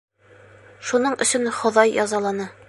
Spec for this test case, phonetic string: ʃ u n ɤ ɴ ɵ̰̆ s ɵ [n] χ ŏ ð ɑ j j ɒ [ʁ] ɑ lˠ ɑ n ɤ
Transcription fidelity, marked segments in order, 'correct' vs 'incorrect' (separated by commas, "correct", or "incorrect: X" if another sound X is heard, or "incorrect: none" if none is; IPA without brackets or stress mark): correct, incorrect: z